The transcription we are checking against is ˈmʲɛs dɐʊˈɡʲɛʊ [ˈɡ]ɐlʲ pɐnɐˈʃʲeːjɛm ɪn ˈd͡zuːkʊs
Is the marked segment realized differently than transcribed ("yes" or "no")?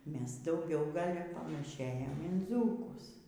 no